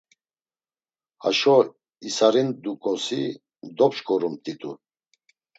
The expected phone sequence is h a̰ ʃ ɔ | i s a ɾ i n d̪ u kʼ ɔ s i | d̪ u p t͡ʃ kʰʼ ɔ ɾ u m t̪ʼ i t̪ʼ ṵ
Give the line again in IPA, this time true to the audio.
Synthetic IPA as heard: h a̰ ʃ ɔ | i s a ɾ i n d̪ u kʼ ɔ s i | d̪ ɔ p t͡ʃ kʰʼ ɔ ɾ u m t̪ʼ i t̪ʼ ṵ